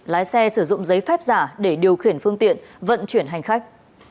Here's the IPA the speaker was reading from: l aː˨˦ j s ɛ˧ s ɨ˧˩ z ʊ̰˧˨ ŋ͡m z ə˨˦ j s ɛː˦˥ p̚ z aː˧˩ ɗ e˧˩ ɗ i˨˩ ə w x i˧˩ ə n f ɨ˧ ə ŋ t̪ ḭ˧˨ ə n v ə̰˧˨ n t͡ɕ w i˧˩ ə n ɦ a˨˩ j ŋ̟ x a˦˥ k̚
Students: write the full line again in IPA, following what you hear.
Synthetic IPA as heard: l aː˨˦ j s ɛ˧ s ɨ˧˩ z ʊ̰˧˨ ŋ͡m z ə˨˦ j f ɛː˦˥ p̚ z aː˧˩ ɗ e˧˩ ɗ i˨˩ ə w x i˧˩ ə n f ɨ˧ ə ŋ t̪ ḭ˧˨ ə n v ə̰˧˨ n t͡ɕ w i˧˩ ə n ɦ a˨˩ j ŋ̟ x a˦˥ k̚